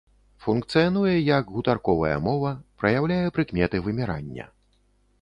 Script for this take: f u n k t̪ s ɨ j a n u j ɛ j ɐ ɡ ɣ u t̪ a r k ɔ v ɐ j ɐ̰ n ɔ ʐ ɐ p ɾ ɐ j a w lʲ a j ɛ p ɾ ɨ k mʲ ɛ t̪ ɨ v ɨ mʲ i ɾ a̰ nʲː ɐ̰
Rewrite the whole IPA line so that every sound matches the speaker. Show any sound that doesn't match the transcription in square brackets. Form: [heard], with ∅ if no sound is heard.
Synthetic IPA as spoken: f u n k t̪ s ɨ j a n u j ɛ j ɐ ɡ ɣ u t̪ a r k ɔ v ɐ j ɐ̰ [m] ɔ [v] ɐ p ɾ ɐ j a w lʲ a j ɛ p ɾ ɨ k mʲ ɛ t̪ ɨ v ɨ mʲ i ɾ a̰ nʲː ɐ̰